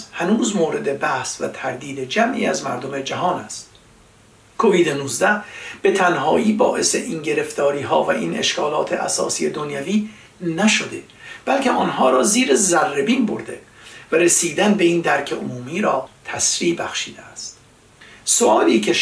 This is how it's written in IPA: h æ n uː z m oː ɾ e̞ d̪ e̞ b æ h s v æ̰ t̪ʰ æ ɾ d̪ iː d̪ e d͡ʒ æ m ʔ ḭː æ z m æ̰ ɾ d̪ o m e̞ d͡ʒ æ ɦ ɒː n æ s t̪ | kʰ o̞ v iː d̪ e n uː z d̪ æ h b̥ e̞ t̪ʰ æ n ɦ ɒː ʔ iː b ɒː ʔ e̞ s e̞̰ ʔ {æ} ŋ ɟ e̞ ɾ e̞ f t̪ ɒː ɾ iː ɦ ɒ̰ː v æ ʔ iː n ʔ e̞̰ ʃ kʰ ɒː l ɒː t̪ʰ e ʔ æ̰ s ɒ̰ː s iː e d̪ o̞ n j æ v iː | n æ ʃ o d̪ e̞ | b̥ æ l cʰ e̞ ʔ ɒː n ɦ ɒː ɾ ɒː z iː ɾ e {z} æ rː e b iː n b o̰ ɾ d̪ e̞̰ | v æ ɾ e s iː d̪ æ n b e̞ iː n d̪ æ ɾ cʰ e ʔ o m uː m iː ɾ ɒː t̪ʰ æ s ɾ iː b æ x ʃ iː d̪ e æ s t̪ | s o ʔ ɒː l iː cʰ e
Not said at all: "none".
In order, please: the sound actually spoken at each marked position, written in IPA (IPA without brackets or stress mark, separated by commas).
i, z